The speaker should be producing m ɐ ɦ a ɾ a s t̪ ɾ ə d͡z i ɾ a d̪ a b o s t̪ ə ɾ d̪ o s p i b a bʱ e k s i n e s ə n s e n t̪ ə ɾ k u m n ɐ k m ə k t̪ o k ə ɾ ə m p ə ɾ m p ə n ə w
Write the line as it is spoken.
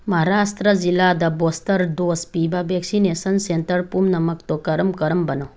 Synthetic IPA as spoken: m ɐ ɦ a ɾ a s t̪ ɾ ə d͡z i l a d̪ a b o s t̪ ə ɾ d̪ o s p i b a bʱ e k s i n e s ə n s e n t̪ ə ɾ p u m n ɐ m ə k t̪ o k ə ɾ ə m k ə ɾ m b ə n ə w

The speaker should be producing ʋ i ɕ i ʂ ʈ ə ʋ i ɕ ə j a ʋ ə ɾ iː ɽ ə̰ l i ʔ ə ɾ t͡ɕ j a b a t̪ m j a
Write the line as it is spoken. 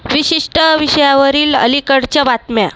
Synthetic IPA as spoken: ʋ i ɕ i ʂ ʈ ə ʋ i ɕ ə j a ʋ ə ɾ iː l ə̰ l i k ə ɽ t͡ɕ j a b a t̪ m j a

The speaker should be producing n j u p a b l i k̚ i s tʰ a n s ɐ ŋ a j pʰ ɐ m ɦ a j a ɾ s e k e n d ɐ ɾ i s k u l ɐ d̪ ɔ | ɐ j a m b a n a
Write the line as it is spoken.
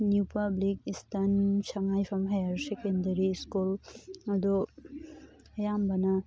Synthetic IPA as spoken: n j u p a b l i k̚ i s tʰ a n s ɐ ŋ a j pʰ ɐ m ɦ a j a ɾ s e k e n d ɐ ɾ i s k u l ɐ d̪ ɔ | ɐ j a m b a n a

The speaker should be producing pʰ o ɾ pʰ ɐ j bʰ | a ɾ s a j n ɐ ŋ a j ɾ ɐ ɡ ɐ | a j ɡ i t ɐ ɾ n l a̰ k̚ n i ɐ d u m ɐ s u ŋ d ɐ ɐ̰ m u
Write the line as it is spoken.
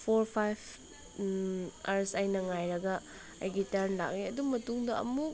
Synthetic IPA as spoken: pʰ o ɾ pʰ a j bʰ | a ɾ s a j n ɐ ŋ a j ɾ ɐ ɡ ɐ | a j ɡ i t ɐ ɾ n l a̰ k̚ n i ɐ d u m ɐ t u ŋ d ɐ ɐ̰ m u

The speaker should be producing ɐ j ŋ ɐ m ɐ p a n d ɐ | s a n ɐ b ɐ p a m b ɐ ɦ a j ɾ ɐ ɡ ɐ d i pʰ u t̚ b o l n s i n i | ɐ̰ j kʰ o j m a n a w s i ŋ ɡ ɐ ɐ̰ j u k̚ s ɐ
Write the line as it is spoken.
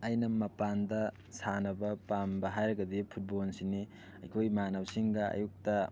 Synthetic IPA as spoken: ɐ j n ɐ m ɐ p a n d ɐ | s a n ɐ b ɐ p a m b ɐ ɦ a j ɾ ɐ ɡ ɐ d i pʰ u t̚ b o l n s i n i | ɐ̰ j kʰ o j m a n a w s i ŋ ɡ ɐ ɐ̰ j u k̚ t ɐ

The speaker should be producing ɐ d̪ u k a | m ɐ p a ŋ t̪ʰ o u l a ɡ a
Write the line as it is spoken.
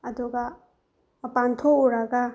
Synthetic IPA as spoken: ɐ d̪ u ɡ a | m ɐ p a n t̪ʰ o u ɾ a ɡ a

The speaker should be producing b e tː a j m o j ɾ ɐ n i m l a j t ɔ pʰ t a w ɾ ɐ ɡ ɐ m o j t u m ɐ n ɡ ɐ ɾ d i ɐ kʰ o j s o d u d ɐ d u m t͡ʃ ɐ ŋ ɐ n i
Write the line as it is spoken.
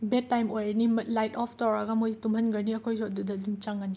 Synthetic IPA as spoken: b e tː a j m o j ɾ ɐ n i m l a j t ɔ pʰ t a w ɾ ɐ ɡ ɐ m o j t u m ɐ n ɡ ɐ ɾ n i ɐ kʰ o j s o d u d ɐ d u m t͡ʃ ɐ ŋ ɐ n i

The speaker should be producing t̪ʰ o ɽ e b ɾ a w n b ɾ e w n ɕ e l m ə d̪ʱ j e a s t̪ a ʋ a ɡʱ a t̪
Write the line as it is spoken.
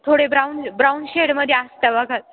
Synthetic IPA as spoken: t̪ʰ o ɽ e b ɾ a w n b ɾ a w n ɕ e ɽ m ə d̪ʱ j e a s t̪ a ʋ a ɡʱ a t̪

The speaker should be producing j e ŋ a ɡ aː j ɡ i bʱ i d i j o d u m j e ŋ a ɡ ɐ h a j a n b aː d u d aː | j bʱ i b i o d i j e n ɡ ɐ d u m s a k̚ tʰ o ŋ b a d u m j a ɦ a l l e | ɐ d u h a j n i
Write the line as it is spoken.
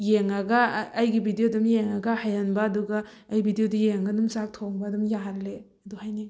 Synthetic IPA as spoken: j e ŋ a ɡ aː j ɡ i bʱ i d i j o d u m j e ŋ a ɡ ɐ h a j a n b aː d u ɡ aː | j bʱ i d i o d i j e ŋ ɡ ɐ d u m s a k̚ tʰ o ŋ b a d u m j a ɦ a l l e | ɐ d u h a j n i

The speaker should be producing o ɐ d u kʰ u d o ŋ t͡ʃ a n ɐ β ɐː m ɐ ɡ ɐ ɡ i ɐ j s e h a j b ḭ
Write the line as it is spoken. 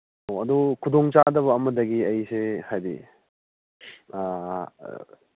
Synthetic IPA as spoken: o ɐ d u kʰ u d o ŋ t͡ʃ a d ɐ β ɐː m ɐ d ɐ ɡ i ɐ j s e h a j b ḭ

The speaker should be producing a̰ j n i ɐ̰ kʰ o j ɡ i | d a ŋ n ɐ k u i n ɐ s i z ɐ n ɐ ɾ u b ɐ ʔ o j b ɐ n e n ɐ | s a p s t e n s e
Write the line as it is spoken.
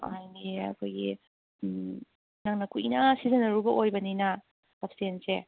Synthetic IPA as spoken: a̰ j n i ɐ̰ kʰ o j ɡ i | n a ŋ n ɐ k u i n ɐ s i z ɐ n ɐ ɾ u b ɐ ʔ o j b ɐ n i n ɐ | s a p s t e n s e

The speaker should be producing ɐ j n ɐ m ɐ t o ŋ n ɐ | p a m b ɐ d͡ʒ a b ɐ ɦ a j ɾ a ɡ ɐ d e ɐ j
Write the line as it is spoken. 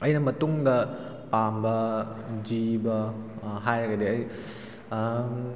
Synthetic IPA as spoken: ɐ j n ɐ m ɐ t u ŋ d ɐ | p a m b ɐ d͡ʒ i b ɐ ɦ a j ɾ ɐ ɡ ɐ d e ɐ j

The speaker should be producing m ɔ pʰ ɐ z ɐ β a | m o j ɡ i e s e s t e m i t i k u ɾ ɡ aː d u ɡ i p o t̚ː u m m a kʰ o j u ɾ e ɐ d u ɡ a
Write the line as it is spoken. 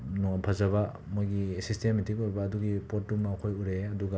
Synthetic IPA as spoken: n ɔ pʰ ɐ z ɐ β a | m o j ɡ i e s i s t e m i t i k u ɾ b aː d u ɡ i p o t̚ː u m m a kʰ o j u ɾ e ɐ d u ɡ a

